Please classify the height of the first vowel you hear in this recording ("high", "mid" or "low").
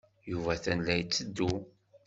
high